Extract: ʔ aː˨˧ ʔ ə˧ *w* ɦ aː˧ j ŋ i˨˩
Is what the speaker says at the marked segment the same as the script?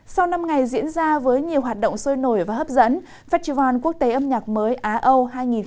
yes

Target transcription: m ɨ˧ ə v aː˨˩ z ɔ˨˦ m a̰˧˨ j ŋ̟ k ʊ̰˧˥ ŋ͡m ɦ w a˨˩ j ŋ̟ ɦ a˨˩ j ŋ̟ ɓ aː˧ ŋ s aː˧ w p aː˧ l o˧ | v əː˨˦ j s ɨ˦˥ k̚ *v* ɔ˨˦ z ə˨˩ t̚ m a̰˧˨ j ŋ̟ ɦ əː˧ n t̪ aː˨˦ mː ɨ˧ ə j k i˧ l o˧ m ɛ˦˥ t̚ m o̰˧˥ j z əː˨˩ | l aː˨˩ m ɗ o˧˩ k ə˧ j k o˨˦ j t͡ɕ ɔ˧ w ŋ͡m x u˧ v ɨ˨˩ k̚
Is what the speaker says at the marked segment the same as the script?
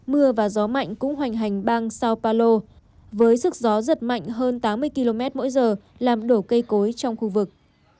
no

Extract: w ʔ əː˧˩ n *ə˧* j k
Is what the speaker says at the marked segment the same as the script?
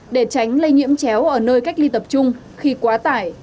no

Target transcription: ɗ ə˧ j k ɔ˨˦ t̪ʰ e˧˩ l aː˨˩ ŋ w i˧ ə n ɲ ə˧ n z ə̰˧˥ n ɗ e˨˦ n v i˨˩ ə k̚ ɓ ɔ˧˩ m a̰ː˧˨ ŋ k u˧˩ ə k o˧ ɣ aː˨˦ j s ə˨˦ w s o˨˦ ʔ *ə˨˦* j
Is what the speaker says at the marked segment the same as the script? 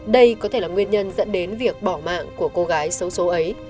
yes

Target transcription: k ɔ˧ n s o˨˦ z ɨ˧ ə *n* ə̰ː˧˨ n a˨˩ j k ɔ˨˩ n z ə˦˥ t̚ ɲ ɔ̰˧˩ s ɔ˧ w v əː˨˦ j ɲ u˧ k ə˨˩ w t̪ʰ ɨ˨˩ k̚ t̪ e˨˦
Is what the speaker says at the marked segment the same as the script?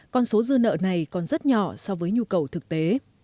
yes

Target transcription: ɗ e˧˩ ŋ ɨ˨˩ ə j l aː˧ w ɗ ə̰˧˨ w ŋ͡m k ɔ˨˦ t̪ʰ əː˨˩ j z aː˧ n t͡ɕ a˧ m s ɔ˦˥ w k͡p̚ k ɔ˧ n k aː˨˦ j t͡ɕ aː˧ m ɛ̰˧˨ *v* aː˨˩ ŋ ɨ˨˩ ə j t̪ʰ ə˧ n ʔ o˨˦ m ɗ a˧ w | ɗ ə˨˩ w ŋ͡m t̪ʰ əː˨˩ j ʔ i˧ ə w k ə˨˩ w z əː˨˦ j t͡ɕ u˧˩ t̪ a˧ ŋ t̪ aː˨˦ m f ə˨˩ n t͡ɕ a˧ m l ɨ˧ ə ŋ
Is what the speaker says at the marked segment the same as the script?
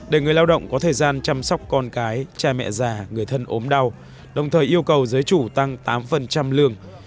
no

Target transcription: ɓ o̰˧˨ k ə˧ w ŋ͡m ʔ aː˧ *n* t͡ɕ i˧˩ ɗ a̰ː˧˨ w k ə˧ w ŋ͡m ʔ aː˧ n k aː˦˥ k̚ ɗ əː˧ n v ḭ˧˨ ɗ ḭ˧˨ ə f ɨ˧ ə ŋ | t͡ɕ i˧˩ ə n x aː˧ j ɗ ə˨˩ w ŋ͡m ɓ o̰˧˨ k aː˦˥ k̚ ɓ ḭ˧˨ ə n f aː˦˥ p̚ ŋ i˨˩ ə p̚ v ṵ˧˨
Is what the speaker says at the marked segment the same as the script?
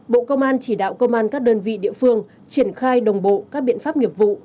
yes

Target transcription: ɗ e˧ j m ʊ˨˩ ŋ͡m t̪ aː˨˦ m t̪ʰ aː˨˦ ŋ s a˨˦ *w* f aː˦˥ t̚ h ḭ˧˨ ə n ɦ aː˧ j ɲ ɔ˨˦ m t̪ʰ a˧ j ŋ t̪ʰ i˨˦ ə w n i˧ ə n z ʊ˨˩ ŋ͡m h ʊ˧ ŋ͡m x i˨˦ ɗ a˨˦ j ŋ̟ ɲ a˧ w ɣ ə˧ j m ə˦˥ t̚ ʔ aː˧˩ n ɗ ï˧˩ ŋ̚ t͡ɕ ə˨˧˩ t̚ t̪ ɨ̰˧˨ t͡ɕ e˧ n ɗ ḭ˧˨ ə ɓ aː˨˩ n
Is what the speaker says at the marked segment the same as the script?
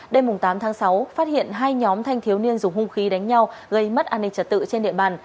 yes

